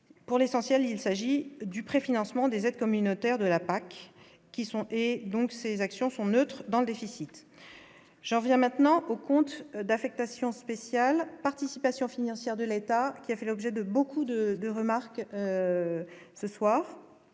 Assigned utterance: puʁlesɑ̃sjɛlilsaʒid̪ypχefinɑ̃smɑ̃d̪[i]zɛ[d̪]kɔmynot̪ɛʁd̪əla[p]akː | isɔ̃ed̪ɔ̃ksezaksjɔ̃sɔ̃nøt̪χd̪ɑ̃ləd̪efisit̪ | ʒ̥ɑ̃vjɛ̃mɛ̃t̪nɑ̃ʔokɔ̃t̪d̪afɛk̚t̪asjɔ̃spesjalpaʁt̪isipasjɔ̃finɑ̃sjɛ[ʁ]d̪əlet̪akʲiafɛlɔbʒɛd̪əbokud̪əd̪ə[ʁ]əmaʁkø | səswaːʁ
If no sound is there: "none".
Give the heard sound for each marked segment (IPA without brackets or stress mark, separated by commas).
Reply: e, d̪, p, ʁ, ʁ